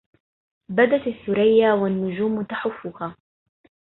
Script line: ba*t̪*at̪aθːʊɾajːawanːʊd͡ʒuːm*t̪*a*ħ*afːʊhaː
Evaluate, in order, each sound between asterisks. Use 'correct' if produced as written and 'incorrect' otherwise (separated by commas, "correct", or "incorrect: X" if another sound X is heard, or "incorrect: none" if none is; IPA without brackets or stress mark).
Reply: incorrect: d̪, correct, correct